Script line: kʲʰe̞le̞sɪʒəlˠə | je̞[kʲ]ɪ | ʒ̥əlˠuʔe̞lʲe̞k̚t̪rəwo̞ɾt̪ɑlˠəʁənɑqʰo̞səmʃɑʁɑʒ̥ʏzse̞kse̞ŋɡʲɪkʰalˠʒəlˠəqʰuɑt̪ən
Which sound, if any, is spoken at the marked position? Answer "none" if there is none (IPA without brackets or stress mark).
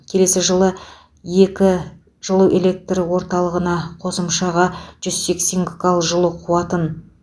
kʲ